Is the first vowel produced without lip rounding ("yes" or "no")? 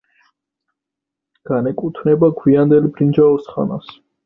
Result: yes